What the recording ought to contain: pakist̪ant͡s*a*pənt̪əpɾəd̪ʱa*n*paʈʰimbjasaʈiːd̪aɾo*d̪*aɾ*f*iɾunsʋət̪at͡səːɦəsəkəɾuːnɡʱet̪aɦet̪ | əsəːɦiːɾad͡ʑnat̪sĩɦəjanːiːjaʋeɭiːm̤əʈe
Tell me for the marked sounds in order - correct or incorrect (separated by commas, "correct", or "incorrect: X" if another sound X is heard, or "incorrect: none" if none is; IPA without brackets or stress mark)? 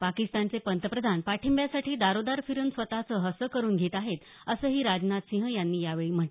incorrect: e, correct, correct, correct